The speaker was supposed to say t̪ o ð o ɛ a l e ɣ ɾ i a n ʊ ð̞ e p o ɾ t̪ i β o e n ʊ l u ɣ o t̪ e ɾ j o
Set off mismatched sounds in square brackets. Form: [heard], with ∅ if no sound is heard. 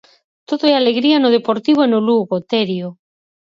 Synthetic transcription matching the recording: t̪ o ð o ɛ a l e ɣ ɾ i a n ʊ ð̞ e p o ɾ t̪ i β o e n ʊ l u ɣ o t̪ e ɾ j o

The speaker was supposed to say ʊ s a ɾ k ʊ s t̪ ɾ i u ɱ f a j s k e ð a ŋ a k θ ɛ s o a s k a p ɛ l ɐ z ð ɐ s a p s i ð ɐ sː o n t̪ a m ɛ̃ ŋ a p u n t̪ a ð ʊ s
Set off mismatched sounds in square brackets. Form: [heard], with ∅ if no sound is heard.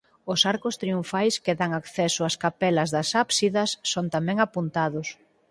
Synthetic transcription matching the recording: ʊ s a ɾ k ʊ s t̪ ɾ i u ɱ f a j s k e ð a ŋ a k θ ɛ s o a s k a p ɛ l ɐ z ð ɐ s a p s i ð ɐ sː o n t̪ a m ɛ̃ ŋ a p u n t̪ a ð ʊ s

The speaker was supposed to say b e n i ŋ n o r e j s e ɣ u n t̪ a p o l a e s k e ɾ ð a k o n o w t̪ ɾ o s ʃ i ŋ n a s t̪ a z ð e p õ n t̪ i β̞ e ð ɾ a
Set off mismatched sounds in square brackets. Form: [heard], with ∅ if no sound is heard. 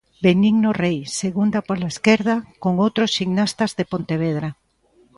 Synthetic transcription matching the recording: b e n i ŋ n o r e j s e ɣ u n [d̪] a p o l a e s k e ɾ ð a k o [ŋ] o w t̪ ɾ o s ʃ i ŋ n a s t̪ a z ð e p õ n t̪ [e] β̞ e ð ɾ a

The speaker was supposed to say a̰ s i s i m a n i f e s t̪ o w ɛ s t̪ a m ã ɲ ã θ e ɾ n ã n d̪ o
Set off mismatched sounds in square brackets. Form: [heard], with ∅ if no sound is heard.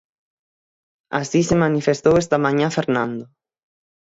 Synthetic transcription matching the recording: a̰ s i s [e] m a n i f e s t̪ o w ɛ s t̪ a m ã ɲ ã [f] e ɾ n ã n d̪ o

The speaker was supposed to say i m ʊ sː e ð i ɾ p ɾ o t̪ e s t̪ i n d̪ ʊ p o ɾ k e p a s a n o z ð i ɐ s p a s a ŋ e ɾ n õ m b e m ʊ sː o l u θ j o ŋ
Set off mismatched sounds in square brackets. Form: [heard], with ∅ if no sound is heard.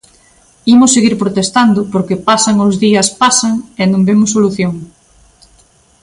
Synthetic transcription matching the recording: i m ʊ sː e [ɣ] i ɾ p ɾ o t̪ e s t̪ [a] n d̪ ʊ p o ɾ k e p a s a [ŋ] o z ð i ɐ s p a s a ŋ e [∅] n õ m b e m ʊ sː o l u θ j o ŋ

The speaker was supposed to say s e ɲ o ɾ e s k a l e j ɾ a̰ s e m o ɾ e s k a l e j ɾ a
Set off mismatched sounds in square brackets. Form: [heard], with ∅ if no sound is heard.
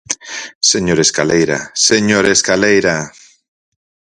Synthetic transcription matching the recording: s e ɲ o ɾ e s k a l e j ɾ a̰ s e [ɲ] o ɾ e s k a l e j ɾ a

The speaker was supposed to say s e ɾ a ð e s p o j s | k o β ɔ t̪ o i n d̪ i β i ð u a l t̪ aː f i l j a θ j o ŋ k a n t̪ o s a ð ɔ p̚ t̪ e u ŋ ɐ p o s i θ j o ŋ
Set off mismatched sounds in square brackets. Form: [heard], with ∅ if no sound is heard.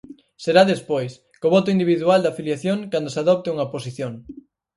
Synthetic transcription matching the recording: s e ɾ a ð e s p o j s | k o β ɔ t̪ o i n d̪ i β i ð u a l [d̪] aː f i l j a θ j o ŋ k a n [d̪] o s a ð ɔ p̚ t̪ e u ŋ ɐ p o s i θ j o ŋ

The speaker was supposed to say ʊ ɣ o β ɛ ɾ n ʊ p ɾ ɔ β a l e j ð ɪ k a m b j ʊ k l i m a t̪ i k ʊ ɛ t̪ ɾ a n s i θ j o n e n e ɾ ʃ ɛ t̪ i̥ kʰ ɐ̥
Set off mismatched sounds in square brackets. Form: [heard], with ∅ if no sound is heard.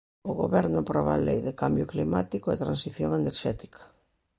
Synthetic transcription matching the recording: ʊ ɣ o β ɛ ɾ n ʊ p ɾ ɔ β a l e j ð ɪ k a m b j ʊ k l i m a t̪ i k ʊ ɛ t̪ ɾ a n s i θ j o [ŋ] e n e ɾ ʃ ɛ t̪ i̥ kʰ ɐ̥

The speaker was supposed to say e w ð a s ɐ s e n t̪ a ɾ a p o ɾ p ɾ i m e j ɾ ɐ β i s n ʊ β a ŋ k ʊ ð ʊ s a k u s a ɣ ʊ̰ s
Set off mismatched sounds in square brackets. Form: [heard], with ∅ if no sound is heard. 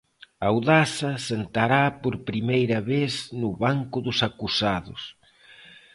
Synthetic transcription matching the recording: [a] w ð a s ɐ s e n t̪ a ɾ a p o ɾ p ɾ i m e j ɾ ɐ β [e] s n ʊ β a ŋ k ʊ ð ʊ s a k u s a [ð] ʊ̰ s

